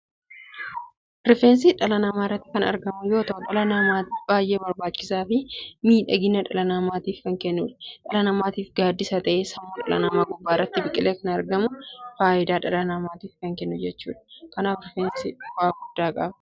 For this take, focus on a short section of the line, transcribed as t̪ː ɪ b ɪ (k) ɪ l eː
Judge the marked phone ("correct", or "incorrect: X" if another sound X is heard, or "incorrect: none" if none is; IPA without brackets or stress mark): incorrect: kʼ